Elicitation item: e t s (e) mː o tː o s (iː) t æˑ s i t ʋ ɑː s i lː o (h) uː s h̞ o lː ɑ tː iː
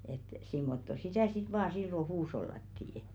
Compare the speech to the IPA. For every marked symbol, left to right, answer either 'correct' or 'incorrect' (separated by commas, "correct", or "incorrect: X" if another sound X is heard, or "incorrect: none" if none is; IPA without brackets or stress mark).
incorrect: i, incorrect: i, correct